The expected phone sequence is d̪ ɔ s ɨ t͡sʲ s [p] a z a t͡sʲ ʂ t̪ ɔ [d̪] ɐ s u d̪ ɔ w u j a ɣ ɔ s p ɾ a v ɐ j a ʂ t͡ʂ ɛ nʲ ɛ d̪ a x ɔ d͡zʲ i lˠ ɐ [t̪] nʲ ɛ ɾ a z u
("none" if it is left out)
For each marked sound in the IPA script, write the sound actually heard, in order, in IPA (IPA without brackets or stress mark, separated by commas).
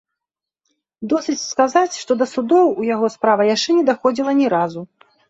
k, d̪, none